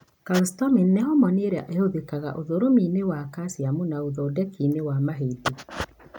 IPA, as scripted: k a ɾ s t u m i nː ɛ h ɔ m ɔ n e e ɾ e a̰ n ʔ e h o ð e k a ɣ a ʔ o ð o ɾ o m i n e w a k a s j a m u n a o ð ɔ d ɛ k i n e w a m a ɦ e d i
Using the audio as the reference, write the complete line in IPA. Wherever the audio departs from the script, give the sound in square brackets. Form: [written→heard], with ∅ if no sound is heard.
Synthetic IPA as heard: k a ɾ s t [u→ɔ] m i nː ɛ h ɔ m ɔ n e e ɾ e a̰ [n→∅] ʔ e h o ð e k a ɣ a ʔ o ð o ɾ o m i n e w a k a s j a m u n a o ð ɔ d ɛ k i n e w a m a ɦ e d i